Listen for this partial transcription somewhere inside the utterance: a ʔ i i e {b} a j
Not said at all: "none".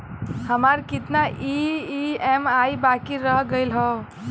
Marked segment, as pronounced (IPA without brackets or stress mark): m